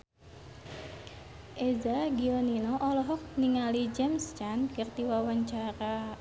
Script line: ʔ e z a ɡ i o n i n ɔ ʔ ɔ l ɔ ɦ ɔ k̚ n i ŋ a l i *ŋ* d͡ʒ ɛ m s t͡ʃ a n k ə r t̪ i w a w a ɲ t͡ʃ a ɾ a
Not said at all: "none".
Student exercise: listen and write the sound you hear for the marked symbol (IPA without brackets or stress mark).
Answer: none